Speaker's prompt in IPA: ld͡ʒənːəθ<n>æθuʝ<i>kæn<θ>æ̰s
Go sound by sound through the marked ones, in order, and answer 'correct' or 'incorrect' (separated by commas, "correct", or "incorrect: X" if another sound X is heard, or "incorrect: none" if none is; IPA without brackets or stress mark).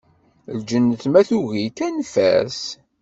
incorrect: m, correct, incorrect: f